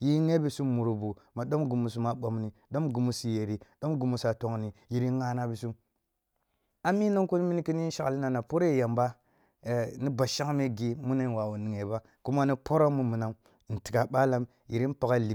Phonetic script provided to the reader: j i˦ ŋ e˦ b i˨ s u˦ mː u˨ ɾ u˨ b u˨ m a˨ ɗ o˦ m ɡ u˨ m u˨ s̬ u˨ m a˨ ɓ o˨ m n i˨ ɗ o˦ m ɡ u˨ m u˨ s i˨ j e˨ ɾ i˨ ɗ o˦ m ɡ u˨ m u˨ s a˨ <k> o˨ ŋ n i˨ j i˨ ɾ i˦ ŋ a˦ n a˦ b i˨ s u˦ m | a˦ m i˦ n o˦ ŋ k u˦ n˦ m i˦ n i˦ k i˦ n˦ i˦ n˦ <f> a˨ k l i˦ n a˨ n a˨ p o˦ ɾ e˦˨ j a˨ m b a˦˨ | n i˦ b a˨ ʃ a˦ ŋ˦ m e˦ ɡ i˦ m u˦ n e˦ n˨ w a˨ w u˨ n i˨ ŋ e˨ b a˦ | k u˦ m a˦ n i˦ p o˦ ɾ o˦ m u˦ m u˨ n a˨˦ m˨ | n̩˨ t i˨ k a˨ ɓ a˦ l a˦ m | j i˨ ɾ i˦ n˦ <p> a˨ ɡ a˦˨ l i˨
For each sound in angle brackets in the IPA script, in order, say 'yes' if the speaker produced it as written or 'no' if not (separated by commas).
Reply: no, no, yes